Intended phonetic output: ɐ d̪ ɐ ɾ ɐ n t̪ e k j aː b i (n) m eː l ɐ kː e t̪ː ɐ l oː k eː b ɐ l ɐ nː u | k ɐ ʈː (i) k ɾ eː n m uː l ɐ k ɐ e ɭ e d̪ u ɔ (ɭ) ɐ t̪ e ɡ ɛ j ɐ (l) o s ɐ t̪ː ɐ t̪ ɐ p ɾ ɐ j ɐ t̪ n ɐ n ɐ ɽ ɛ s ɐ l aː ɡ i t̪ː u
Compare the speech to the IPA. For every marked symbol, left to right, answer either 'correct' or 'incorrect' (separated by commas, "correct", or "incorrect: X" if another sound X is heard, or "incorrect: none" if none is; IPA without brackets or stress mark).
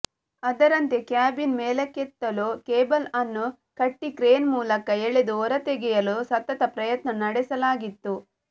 correct, correct, incorrect: ɾ, correct